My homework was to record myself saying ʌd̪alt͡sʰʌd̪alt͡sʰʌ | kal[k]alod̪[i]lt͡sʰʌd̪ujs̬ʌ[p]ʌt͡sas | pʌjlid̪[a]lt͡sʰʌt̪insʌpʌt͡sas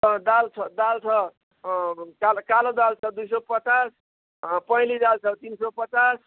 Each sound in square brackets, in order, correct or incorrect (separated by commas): correct, incorrect, correct, correct